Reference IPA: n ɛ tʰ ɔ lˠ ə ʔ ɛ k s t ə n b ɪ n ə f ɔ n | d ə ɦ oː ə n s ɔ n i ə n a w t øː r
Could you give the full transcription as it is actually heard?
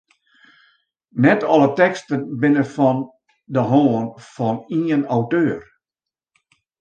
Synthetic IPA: n ɛ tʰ ɔ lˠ ə t ɛ k s t ə n b ɪ n ə f ɔ n | d ə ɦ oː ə n f ɔ n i ə n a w t øː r